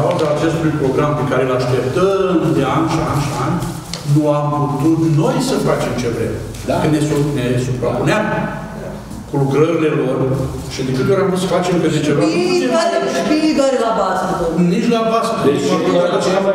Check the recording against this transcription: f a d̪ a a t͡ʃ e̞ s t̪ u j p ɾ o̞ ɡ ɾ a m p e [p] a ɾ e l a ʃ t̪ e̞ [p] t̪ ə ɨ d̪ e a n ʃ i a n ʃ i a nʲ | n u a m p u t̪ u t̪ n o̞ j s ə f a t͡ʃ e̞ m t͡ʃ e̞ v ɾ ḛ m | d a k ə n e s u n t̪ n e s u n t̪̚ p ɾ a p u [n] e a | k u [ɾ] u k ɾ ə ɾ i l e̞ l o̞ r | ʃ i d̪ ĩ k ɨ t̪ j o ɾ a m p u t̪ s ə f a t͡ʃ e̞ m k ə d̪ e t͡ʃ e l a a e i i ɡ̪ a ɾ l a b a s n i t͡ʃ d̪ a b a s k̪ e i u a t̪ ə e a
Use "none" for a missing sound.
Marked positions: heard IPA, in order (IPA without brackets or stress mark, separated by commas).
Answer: k, p, n, l